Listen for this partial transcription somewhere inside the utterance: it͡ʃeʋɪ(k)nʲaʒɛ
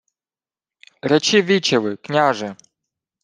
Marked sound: correct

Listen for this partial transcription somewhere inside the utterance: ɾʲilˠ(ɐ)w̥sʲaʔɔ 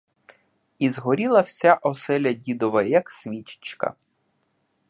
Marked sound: correct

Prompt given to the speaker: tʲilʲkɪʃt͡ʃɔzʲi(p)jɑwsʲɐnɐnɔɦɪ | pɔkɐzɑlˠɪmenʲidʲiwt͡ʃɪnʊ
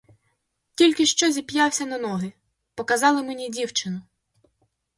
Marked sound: correct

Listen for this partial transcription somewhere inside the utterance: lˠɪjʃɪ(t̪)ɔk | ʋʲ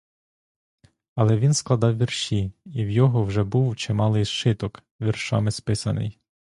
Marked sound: correct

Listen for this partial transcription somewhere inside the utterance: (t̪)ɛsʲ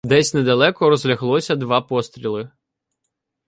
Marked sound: incorrect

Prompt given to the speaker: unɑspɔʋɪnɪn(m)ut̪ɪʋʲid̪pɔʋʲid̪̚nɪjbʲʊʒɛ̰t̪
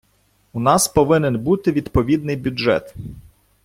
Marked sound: incorrect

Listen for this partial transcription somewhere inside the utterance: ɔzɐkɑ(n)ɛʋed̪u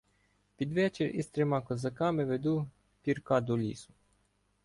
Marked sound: incorrect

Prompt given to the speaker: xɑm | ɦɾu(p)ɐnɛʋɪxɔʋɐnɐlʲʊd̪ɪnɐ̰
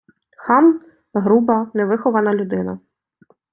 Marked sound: incorrect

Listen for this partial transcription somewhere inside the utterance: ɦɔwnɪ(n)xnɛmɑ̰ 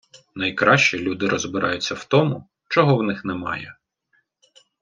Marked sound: incorrect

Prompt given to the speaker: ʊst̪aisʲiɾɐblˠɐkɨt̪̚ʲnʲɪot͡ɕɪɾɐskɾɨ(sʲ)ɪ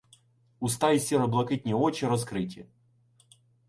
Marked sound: incorrect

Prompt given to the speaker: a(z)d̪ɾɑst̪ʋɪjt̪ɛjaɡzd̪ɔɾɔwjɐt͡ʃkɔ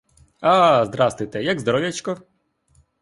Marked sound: correct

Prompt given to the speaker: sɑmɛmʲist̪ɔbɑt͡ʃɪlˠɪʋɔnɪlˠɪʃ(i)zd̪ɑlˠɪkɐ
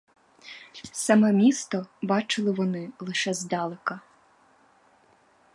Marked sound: incorrect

